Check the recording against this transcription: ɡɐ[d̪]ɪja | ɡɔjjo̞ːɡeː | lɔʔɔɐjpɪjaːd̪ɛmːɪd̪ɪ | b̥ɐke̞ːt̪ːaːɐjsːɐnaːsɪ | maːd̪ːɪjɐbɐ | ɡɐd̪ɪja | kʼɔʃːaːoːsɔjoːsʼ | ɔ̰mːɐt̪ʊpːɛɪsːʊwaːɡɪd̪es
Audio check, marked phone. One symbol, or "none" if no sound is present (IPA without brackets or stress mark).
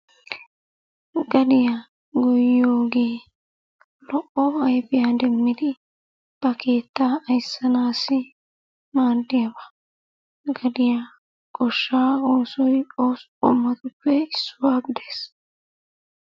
d̪